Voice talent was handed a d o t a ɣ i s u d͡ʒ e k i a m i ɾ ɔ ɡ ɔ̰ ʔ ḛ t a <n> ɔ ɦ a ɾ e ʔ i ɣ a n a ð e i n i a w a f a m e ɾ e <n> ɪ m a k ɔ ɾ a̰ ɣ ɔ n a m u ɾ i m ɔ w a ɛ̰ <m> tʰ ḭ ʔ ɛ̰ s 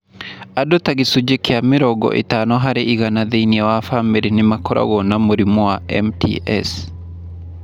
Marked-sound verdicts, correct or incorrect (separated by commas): correct, correct, correct